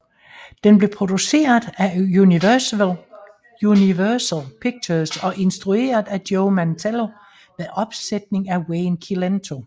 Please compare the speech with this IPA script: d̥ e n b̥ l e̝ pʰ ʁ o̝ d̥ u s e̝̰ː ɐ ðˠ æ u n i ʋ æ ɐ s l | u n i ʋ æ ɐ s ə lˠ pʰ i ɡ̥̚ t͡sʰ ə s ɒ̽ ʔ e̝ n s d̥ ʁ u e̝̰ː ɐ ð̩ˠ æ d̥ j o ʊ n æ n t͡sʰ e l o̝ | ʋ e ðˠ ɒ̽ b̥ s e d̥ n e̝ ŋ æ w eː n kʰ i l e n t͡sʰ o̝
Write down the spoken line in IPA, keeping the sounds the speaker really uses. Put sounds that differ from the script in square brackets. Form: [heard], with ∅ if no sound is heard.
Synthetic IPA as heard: d̥ e n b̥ l e̝ pʰ ʁ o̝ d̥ u s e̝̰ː ɐ ðˠ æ u n i ʋ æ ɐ s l | u n i ʋ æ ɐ s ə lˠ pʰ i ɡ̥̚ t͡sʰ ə s ɒ̽ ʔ e̝ n s d̥ ʁ u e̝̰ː ɐ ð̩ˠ æ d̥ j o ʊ [m] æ n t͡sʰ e l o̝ | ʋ e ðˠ ɒ̽ b̥ s e d̥ n e̝ ŋ æ w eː n kʰ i l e n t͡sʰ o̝